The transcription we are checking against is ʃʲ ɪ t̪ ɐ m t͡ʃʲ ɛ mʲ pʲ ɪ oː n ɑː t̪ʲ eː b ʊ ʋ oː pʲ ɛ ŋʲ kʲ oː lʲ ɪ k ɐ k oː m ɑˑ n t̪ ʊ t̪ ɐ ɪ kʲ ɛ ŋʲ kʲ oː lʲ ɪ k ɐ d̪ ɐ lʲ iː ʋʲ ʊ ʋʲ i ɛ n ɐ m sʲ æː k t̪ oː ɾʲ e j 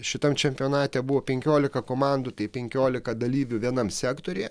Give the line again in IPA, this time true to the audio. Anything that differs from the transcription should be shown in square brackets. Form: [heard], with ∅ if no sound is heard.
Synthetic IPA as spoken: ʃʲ ɪ t̪ ɐ m t͡ʃʲ ɛ mʲ pʲ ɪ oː n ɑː t̪ʲ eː b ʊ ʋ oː pʲ ɛ ŋʲ kʲ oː lʲ ɪ k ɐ k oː m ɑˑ n [d̪] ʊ t̪ ɐ ɪ [pʲ] ɛ ŋʲ kʲ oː lʲ ɪ k ɐ d̪ ɐ lʲ iː ʋʲ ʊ ʋʲ i ɛ n ɐ m sʲ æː k t̪ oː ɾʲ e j